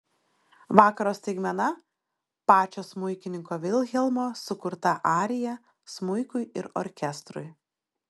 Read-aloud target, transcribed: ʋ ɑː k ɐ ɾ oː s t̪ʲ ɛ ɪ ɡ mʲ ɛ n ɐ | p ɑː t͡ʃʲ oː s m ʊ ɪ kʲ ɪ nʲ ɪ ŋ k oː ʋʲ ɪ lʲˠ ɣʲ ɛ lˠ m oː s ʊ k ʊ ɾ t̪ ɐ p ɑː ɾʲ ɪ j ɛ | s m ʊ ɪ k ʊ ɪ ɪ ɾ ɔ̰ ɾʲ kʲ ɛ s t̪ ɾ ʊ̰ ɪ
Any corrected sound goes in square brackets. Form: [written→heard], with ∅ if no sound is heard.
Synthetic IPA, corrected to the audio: ʋ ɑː k ɐ ɾ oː s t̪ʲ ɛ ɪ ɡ mʲ ɛ n ɐ | p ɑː t͡ʃʲ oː s m ʊ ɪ kʲ ɪ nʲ ɪ ŋ k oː ʋʲ ɪ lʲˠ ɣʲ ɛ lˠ m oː s ʊ k ʊ ɾ t̪ ɐ [p→ʔ] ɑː ɾʲ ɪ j ɛ | s m ʊ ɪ k ʊ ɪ ɪ ɾ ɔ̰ ɾʲ kʲ ɛ s t̪ ɾ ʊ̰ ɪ